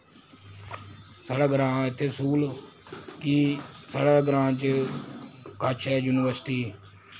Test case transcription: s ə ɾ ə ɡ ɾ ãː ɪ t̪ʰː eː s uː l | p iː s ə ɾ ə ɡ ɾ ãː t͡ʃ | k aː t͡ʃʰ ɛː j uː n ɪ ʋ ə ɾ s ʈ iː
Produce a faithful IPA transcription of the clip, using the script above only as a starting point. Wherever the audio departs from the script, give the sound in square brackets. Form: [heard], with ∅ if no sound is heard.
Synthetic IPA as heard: s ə [ɽ] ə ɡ ɾ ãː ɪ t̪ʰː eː s uː l | [k] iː s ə [ɽ] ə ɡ ɾ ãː t͡ʃ | k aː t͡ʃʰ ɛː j uː n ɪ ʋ ə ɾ s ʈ iː

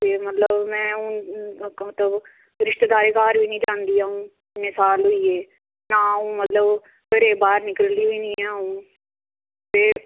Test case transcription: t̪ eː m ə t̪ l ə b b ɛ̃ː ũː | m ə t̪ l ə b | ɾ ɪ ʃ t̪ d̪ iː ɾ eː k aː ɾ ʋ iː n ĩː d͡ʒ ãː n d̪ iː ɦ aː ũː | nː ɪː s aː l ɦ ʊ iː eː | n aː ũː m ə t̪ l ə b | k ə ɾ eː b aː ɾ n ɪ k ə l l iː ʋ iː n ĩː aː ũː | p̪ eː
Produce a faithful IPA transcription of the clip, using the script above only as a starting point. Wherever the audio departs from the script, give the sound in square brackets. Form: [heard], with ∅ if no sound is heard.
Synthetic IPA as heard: t̪ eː m ə t̪ l ə b [m] ɛ̃ː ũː | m ə t̪ l ə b | ɾ ɪ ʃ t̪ d̪ [aː] ɾ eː k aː ɾ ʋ iː n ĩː d͡ʒ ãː n d̪ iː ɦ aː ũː | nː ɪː s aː l ɦ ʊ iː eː | n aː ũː m ə t̪ l ə b | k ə ɾ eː b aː ɾ n ɪ k ə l l iː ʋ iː n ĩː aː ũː | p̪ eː

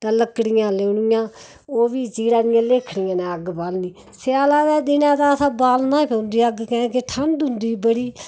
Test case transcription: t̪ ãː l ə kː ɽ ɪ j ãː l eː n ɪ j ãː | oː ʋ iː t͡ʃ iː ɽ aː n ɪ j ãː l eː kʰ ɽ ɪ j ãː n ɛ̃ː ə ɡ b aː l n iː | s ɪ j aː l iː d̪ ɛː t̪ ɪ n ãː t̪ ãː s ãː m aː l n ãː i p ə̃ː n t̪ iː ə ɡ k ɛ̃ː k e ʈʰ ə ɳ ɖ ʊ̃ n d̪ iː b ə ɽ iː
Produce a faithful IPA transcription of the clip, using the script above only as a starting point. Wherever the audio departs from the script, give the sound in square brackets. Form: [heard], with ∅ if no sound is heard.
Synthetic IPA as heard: t̪ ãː l ə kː ɽ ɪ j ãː l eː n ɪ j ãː | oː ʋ iː t͡ʃ iː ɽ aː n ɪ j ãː l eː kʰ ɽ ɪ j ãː n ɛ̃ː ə ɡ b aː l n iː | s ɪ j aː l [aː] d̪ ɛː [d̪] ɪ n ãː t̪ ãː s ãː [b] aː l n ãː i p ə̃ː n [d̪] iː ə ɡ k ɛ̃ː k e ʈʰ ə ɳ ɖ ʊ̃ n d̪ iː b ə ɽ iː

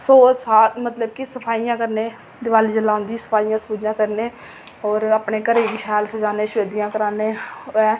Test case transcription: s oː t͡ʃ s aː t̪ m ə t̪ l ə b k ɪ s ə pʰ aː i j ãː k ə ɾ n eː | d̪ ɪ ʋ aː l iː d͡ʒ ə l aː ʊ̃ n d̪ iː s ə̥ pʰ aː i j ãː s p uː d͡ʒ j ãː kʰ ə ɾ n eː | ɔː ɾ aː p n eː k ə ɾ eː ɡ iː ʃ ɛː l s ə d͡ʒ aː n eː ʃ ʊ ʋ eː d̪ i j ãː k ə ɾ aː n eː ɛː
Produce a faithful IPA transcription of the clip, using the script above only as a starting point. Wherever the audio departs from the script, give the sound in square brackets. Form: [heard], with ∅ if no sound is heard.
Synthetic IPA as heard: s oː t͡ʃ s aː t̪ m ə t̪ l ə b k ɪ s ə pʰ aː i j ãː k ə ɾ n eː | d̪ ɪ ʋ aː l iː d͡ʒ ə l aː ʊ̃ n d̪ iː s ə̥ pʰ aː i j ãː s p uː d͡ʒ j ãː [k] ə ɾ n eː | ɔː ɾ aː p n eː k ə ɾ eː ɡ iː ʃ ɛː l s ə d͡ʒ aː n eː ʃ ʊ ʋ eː d̪ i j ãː k ə ɾ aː n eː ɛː

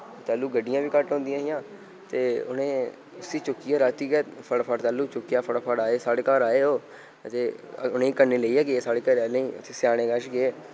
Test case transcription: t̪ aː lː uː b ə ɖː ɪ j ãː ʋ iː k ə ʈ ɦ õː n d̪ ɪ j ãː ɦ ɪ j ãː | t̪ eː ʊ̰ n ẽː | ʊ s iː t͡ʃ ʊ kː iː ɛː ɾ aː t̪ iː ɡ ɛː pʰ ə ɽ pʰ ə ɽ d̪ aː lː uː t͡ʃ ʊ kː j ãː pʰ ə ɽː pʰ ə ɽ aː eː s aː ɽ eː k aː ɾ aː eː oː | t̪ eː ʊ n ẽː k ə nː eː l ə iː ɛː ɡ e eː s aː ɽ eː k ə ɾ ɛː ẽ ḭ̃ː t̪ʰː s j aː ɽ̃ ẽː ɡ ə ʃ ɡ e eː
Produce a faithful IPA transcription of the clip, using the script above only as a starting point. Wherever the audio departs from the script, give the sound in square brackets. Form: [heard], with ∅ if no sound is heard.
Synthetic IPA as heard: t̪ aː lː uː [ɡ] ə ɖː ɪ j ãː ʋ iː k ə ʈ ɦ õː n d̪ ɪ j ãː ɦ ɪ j ãː | t̪ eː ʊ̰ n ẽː | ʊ s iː t͡ʃ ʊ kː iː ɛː ɾ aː t̪ iː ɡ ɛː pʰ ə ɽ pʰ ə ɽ [t̪] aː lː uː t͡ʃ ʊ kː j [aː] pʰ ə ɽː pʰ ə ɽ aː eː s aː ɽ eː k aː ɾ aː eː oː | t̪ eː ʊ n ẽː k ə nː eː l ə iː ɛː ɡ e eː s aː ɽ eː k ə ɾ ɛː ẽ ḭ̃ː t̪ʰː s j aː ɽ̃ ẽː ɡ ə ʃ ɡ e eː

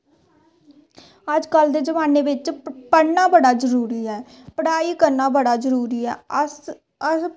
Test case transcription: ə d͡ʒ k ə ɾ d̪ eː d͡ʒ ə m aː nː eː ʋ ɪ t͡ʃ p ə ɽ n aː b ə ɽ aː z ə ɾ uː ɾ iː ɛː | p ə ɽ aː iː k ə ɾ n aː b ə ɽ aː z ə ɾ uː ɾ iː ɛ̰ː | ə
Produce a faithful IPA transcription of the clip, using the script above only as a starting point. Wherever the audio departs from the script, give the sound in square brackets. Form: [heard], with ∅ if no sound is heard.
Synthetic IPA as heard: ə d͡ʒ k ə [l] d̪ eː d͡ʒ ə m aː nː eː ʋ ɪ t͡ʃ p ə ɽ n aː b ə ɽ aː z ə ɾ uː ɾ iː ɛː | p ə ɽ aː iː k ə ɾ n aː b ə ɽ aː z ə ɾ uː ɾ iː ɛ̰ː | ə

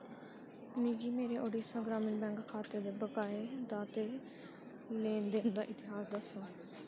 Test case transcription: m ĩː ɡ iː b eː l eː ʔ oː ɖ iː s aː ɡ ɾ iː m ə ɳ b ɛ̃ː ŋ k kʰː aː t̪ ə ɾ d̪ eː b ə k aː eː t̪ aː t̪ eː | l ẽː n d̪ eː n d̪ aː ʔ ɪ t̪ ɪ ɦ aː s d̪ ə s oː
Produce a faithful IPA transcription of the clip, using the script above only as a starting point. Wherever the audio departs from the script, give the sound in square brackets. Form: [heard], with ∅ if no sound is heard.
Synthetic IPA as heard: m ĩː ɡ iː [m] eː [ɾ] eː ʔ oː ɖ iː s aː ɡ ɾ [aː] m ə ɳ b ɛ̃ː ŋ k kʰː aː t̪ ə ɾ d̪ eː b ə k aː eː [d̪] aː t̪ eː | l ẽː n d̪ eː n d̪ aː ʔ ɪ t̪ ɪ ɦ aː s d̪ ə s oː

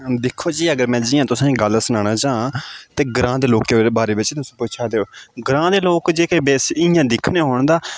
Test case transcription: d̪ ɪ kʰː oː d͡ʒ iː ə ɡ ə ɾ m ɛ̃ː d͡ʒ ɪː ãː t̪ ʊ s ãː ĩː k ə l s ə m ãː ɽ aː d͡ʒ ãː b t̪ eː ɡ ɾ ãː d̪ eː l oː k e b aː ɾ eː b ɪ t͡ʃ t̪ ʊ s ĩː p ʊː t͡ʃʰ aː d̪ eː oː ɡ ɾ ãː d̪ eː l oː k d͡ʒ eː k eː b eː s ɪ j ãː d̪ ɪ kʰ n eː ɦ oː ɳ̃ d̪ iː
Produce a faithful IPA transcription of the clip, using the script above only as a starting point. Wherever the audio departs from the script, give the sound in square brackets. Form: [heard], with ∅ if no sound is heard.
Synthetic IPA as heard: d̪ ɪ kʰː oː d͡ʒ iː ə ɡ ə ɾ m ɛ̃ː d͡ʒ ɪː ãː t̪ ʊ s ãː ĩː [ɡ] ə l s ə [n] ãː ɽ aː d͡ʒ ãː [∅] t̪ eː ɡ ɾ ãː d̪ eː l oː k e b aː ɾ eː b ɪ t͡ʃ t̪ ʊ s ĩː p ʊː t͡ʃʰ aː d̪ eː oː ɡ ɾ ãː d̪ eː l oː k d͡ʒ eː k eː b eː s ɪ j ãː d̪ ɪ kʰ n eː ɦ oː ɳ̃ d̪ [aː]

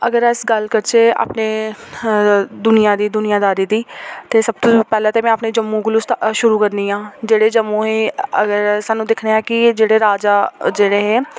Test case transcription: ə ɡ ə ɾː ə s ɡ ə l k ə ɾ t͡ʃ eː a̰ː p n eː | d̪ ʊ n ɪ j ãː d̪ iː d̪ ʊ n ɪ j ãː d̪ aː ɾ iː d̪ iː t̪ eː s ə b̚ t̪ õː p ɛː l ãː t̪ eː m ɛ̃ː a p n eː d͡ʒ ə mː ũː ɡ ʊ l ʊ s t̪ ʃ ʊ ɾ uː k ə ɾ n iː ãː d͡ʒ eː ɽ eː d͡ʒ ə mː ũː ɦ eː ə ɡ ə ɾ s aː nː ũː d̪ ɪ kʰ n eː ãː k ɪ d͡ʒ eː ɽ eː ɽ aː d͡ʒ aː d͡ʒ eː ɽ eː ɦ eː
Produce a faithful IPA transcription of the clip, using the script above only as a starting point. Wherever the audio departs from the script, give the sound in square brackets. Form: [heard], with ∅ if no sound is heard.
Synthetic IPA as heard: ə ɡ ə [ɾ] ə s ɡ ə l k ə ɾ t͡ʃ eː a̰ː p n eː | d̪ ʊ n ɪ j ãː d̪ iː d̪ ʊ n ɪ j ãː d̪ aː ɾ iː d̪ iː t̪ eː s ə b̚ t̪ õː p ɛː l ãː t̪ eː m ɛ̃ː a p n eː d͡ʒ ə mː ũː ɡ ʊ l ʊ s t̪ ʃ ʊ ɾ uː k ə ɾ n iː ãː d͡ʒ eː ɽ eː d͡ʒ ə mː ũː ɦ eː ə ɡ ə ɾ s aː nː ũː d̪ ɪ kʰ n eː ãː k ɪ d͡ʒ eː ɽ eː [ɾ] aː d͡ʒ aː d͡ʒ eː ɽ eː ɦ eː

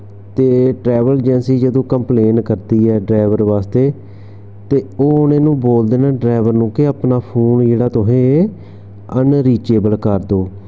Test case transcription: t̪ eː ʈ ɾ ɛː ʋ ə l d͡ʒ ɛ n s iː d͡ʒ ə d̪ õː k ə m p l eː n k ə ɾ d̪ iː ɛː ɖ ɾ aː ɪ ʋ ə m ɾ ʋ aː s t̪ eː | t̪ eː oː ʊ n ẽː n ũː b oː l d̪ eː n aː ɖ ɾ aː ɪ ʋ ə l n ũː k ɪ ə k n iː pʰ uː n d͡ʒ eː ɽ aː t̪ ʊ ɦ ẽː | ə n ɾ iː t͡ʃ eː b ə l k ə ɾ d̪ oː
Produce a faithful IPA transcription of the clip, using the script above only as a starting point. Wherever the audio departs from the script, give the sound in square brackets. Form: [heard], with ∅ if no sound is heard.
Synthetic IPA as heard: t̪ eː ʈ ɾ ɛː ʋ ə l d͡ʒ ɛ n s iː d͡ʒ ə d̪ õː k ə m p l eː n k ə ɾ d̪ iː ɛː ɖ ɾ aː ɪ ʋ ə [∅] ɾ ʋ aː s t̪ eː | t̪ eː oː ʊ n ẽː n ũː b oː l d̪ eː n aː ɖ ɾ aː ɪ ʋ ə [ɾ] n ũː k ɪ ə [p] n [aː] pʰ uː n d͡ʒ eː ɽ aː t̪ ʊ ɦ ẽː | ə n ɾ iː t͡ʃ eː b ə l k ə ɾ d̪ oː

